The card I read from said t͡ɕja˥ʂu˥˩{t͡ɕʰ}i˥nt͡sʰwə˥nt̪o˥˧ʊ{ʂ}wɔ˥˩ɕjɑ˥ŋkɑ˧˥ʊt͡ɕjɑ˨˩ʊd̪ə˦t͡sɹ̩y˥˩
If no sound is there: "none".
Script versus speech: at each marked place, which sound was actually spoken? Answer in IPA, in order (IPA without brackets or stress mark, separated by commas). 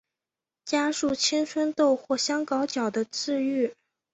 t͡ɕʰ, x